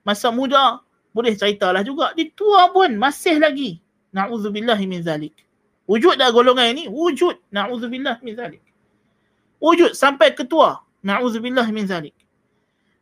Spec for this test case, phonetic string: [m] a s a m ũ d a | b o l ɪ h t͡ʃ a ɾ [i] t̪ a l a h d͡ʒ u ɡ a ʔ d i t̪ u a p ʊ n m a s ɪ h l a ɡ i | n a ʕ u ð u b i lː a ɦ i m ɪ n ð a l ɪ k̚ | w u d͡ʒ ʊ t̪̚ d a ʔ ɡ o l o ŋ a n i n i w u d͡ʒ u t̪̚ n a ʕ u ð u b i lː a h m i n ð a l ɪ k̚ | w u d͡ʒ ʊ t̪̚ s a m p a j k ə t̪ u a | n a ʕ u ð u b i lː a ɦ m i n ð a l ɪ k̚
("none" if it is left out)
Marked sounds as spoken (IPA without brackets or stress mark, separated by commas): m, i